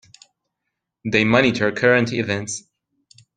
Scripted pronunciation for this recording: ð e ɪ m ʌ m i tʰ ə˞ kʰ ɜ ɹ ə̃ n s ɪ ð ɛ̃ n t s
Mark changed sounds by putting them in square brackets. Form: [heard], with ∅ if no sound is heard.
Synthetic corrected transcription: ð e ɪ m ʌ [n] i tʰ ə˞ kʰ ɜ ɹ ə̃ n [t] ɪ [v] ɛ̃ n t s